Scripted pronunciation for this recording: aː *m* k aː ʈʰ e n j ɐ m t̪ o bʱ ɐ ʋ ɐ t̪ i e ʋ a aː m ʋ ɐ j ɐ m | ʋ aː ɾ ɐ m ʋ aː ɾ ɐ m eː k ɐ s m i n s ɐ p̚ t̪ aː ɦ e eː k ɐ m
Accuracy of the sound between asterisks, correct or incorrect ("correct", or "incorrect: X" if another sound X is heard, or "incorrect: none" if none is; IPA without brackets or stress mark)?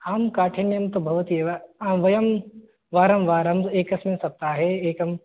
correct